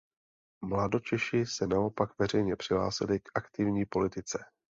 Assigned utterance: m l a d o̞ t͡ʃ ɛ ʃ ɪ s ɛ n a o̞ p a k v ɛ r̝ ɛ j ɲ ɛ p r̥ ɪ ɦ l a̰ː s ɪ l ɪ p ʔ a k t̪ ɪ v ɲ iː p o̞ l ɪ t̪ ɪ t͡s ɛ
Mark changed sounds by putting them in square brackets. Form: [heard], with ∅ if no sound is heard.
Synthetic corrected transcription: m l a d o̞ t͡ʃ ɛ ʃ ɪ s ɛ n a o̞ p a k v ɛ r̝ ɛ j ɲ ɛ p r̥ ɪ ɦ l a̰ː s ɪ l ɪ [k] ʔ a k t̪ ɪ v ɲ iː p o̞ l ɪ t̪ ɪ t͡s ɛ